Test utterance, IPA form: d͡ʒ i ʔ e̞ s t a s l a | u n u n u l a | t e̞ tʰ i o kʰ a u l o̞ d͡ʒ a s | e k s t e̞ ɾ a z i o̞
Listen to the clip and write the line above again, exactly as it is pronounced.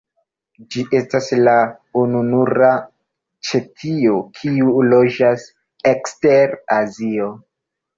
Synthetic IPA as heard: d͡ʒ i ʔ e̞ s t a s l a | u n u n u ɾ a | t͡ʃ e̞ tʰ i o kʰ i u l o̞ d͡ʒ a s | e k s t e̞ ɾ a z i o̞